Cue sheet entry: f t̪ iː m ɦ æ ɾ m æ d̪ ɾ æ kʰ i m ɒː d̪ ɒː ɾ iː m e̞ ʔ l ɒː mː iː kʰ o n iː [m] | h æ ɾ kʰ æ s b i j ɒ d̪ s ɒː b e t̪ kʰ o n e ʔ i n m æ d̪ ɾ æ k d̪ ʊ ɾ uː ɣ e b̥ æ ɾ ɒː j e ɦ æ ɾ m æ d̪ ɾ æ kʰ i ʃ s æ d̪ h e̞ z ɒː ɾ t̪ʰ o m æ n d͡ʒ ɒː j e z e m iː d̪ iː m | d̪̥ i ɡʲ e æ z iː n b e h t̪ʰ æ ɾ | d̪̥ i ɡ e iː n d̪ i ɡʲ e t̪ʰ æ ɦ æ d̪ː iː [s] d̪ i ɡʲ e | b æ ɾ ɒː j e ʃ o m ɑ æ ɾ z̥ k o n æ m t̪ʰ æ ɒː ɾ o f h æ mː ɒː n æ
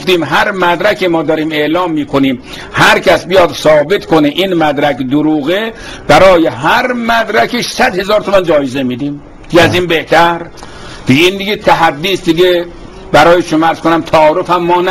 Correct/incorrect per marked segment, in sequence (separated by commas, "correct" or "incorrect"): correct, correct